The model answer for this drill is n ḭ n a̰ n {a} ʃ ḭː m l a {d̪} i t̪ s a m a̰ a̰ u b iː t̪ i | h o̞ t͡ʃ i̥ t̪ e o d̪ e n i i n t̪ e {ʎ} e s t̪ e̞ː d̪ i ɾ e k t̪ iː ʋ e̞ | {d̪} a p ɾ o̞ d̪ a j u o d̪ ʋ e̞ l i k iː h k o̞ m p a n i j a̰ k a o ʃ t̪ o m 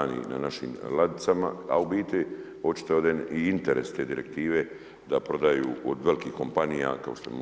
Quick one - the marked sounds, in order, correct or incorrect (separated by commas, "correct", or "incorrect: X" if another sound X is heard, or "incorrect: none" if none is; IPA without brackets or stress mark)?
correct, correct, incorrect: ɾ, correct